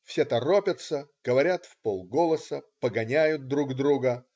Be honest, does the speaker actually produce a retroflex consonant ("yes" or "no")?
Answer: no